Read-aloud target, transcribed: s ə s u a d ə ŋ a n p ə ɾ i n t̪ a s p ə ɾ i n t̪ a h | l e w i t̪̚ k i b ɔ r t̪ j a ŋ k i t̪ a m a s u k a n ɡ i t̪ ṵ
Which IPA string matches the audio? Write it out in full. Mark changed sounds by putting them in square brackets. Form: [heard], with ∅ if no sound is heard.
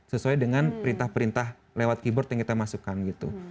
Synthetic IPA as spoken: s ə s u a d ə ŋ a n p ə ɾ i n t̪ a [h] p ə ɾ i n t̪ a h | l e w [a] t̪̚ k i b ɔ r t̪ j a ŋ k i t̪ a m a s u k a n ɡ i t̪ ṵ